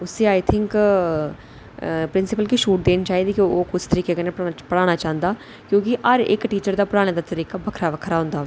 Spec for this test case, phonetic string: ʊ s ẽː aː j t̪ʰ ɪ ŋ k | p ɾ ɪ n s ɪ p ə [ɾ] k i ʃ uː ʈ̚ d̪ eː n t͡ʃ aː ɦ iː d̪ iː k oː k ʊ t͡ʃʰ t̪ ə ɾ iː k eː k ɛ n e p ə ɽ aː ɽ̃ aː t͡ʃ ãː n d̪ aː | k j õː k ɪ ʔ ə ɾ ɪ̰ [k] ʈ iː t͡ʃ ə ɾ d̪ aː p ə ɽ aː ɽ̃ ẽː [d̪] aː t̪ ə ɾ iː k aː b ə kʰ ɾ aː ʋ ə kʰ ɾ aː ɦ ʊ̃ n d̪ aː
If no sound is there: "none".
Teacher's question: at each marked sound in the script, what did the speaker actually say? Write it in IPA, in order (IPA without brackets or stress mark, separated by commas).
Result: l, k, d̪